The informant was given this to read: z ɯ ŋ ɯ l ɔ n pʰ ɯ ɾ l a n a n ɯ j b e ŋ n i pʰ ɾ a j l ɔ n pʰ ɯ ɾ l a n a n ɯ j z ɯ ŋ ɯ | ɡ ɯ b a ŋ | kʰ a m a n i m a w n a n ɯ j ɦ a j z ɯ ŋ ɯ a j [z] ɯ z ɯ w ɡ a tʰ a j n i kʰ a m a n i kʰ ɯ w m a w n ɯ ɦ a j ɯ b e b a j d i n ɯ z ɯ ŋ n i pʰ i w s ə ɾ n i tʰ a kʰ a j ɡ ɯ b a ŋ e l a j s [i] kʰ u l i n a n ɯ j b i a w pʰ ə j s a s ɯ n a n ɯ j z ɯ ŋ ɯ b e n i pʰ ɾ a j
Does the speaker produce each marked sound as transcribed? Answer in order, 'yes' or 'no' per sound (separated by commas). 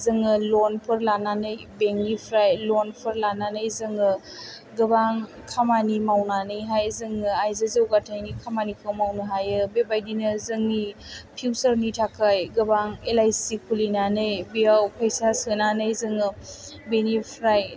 yes, yes